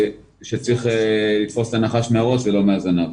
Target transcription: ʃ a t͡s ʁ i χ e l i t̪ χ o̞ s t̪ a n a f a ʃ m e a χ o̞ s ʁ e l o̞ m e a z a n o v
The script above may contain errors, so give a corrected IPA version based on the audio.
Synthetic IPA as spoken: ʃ e t͡s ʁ i χ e l i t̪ f o̞ s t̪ a n a χ a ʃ m e a ʁ o̞ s v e l o̞ m e a z a n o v